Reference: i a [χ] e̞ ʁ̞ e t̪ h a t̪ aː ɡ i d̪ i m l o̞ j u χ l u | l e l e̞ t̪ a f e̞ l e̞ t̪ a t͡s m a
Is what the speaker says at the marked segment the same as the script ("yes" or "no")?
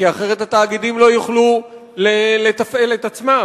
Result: yes